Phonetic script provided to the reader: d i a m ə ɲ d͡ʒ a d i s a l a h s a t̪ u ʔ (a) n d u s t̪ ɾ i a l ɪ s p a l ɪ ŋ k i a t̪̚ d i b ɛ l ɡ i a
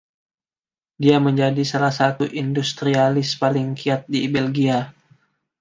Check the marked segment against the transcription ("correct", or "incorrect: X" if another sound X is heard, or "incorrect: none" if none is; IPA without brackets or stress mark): incorrect: i